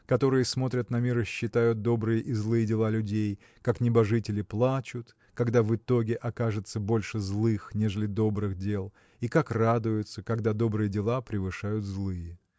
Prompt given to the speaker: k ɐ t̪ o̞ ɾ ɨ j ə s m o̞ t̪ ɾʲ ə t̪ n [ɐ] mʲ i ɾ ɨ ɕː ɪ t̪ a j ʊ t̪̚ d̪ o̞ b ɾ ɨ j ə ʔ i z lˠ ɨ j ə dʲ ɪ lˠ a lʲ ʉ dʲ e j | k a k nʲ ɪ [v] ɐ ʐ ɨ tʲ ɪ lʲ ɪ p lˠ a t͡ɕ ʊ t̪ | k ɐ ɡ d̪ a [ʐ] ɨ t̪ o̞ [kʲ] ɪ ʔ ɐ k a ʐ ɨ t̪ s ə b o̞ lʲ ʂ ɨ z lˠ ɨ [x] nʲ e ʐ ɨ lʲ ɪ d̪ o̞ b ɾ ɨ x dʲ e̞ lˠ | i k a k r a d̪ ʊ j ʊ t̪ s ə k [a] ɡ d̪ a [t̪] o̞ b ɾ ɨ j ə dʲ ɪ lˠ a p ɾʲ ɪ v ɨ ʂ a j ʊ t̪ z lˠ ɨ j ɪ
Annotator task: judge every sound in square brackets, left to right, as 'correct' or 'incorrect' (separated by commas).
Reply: correct, incorrect, incorrect, incorrect, correct, incorrect, incorrect